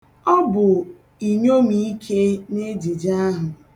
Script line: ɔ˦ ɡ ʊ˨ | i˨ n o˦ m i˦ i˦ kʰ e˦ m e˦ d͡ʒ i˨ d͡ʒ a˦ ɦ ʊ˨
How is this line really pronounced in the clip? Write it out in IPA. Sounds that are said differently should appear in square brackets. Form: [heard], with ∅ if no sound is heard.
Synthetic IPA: ɔ˦ [b] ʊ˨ | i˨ [ɲ] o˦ m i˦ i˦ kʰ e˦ [n] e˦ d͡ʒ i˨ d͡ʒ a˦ ɦ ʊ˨